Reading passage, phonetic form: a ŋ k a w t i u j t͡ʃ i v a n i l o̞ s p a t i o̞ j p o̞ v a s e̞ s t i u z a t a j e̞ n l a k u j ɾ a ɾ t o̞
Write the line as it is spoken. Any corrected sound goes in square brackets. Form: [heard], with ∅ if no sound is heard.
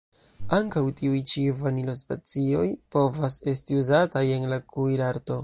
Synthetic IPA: a ŋ k a w t i u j t͡ʃ i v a n i l o̞ s p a [t͡s] i o̞ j p o̞ v a s e̞ s t i u z a t a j e̞ n l a k u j ɾ a ɾ t o̞

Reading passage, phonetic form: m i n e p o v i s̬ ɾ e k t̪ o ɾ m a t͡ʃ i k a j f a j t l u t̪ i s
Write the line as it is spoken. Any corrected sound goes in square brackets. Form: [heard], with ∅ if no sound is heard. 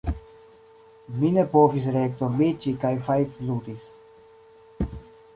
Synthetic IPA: m i n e p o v i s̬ ɾ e k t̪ o ɾ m [i] t͡ʃ i k a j f a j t l u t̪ i s

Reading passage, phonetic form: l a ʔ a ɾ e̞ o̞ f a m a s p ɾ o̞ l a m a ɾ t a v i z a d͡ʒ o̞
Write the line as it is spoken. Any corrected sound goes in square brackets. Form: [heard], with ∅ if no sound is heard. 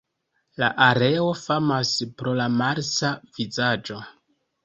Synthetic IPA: l a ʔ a ɾ e̞ o̞ f a m a s p ɾ o̞ l a m a ɾ [s] a v i z a d͡ʒ o̞

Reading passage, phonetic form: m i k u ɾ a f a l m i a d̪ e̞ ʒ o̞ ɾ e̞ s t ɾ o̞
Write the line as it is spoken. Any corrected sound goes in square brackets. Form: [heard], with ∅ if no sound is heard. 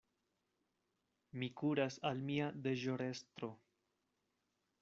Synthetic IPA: m i k u ɾ a [s] a l m i a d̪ e̞ ʒ o̞ ɾ e̞ s t ɾ o̞

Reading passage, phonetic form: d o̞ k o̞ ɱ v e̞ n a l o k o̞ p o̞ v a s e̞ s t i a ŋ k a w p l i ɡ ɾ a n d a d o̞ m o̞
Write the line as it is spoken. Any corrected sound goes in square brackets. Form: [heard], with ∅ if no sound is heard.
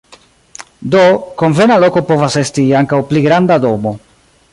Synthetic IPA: d o̞ k o̞ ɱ v e̞ n a l o k o̞ p o̞ v a s e̞ s t i a ŋ k a w p l i ɡ ɾ a n d a d o̞ m o̞

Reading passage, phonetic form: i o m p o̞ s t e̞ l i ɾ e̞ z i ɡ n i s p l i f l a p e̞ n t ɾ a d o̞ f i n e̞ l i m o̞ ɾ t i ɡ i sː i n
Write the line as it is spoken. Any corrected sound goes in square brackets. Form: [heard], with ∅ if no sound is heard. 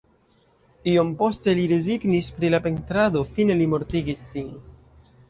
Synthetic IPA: i o m p o̞ s t e̞ l i ɾ e̞ z i ɡ n i s p [ɾ] i [∅] l a p e̞ n t ɾ a d o̞ f i n e̞ l i m o̞ ɾ t i ɡ i sː i n

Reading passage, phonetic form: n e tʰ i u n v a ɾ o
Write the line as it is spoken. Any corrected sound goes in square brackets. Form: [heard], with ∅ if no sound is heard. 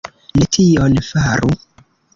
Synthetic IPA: n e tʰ i [o] n [f] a ɾ [u]

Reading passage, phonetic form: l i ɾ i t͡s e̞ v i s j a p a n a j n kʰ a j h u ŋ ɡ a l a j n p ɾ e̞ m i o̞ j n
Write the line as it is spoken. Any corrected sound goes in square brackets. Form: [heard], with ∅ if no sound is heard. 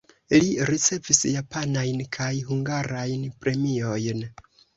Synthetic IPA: l i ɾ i t͡s e̞ v i s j a p a n a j n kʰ a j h u ŋ ɡ a [ɾ] a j n p ɾ e̞ m i o̞ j n

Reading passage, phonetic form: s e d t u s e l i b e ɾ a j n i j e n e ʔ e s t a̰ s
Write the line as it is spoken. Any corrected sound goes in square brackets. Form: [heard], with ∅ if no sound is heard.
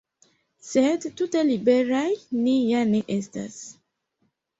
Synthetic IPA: s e d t u [t] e l i b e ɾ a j n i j [a] n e ʔ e s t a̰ s

